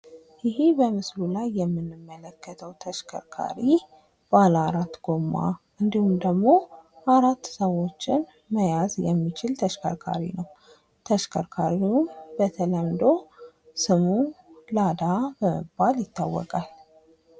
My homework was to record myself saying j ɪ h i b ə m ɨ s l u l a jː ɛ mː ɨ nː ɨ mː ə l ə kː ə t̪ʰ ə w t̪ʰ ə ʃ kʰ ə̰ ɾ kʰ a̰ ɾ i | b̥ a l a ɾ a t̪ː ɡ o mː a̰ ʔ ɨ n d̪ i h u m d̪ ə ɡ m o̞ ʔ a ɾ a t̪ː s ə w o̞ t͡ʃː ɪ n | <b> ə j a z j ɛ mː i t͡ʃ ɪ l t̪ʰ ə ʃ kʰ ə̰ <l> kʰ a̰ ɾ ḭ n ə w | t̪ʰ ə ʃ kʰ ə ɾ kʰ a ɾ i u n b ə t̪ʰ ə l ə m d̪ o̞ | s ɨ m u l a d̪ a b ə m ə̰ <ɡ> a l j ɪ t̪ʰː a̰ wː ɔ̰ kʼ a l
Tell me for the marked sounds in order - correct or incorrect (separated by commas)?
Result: incorrect, incorrect, incorrect